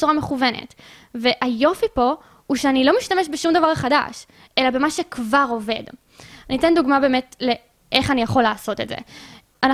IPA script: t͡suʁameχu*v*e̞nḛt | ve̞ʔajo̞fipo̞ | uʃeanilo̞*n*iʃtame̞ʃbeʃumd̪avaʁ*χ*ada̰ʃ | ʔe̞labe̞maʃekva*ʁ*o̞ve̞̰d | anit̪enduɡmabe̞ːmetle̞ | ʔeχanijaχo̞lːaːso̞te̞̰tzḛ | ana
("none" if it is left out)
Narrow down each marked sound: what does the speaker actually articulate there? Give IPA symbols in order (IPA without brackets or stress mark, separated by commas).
v, m, χ, ʁ